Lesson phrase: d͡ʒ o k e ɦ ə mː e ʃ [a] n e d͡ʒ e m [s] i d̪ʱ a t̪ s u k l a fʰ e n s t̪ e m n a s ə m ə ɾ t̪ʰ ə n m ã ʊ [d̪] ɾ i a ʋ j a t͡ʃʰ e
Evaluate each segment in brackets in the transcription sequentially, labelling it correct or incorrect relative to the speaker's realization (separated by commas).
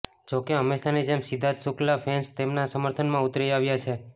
correct, correct, incorrect